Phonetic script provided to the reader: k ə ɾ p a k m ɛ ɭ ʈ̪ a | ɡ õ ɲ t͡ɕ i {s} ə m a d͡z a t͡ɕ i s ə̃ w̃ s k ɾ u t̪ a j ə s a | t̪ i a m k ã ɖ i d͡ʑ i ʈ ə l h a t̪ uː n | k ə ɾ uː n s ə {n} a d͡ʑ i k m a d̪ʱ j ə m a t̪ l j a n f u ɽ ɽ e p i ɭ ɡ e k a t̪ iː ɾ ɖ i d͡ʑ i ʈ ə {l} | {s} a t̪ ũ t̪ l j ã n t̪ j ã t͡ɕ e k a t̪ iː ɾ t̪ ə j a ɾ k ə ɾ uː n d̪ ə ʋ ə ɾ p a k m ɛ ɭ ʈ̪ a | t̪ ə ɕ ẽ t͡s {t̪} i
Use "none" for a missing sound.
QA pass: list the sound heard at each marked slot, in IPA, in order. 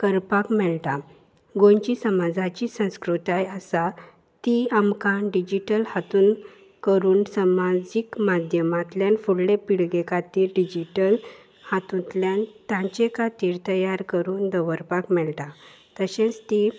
s, m, l, h, t̪

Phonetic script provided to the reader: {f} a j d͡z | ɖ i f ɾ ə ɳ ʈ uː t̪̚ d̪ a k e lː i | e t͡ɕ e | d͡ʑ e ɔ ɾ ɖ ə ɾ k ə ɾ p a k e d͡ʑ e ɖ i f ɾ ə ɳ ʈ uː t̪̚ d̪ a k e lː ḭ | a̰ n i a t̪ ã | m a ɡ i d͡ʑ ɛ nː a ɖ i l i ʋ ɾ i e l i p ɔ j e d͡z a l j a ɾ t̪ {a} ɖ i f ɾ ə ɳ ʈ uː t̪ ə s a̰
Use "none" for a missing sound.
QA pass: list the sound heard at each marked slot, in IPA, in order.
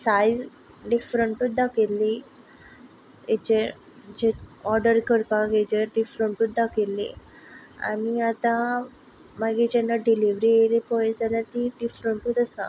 s, i

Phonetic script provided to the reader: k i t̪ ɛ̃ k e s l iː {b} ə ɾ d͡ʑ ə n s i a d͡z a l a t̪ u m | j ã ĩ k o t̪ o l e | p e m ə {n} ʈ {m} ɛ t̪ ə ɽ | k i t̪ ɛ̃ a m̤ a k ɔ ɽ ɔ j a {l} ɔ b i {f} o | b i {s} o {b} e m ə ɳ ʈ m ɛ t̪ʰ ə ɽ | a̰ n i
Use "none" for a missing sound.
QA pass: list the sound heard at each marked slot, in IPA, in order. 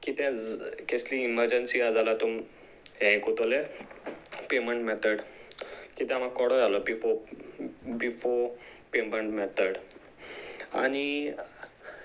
m, ɳ, m, l, f, f, p

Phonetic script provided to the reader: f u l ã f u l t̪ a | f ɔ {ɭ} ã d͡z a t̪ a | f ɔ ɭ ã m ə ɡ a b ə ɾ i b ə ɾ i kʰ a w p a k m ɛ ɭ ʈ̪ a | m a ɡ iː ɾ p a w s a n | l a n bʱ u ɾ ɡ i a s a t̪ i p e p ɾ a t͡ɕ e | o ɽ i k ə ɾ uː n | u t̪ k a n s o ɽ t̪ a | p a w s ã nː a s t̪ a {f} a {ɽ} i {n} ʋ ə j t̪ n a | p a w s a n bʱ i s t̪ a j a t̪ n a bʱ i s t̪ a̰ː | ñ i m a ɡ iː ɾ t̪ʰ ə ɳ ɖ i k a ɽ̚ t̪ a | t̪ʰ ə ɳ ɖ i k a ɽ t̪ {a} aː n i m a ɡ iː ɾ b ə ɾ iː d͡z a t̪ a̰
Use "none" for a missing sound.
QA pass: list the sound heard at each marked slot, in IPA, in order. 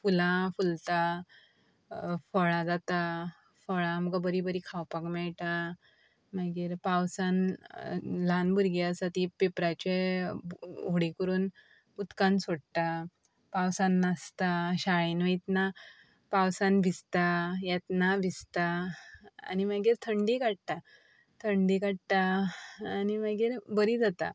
ɭ, ɕ, ɭ, n, a

